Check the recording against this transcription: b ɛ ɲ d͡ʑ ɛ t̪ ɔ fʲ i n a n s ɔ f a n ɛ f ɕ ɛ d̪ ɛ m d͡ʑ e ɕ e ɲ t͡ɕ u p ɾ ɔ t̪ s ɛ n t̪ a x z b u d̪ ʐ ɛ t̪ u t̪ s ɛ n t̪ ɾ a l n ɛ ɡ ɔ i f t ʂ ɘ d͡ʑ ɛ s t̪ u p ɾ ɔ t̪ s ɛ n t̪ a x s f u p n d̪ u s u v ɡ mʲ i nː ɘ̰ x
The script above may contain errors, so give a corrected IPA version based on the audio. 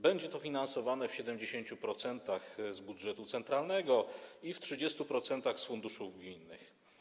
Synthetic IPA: b ɛ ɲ d͡ʑ ɛ t̪ ɔ fʲ i n a n s ɔ v a n ɛ f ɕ ɛ d̪ ɛ m d͡ʑ e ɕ e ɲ t͡ɕ u p ɾ ɔ t̪ s ɛ n t̪ a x z b u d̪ ʐ ɛ t̪ u t̪ s ɛ n t̪ ɾ a l n ɛ ɡ ɔ i f t ʂ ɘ d͡ʑ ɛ s t̪ u p ɾ ɔ t̪ s ɛ n t̪ a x s f u n d̪ u ʂ u v ɡ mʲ i nː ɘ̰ x